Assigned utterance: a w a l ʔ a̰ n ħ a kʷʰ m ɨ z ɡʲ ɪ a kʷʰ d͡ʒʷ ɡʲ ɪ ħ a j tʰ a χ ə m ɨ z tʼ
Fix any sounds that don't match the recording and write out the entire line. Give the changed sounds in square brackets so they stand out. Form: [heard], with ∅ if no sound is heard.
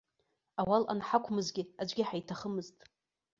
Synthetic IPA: a w a l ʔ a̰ n ħ a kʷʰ m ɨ z ɡʲ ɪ a [∅] d͡ʒʷ ɡʲ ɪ ħ a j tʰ a χ ə m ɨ z tʼ